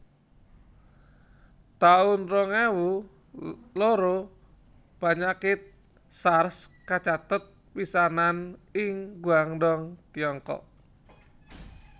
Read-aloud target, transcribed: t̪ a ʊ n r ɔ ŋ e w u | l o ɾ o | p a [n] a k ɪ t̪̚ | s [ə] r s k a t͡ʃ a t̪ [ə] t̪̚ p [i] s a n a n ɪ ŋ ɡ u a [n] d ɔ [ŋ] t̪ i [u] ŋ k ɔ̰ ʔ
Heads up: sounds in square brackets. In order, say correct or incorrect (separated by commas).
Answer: incorrect, incorrect, correct, correct, incorrect, correct, incorrect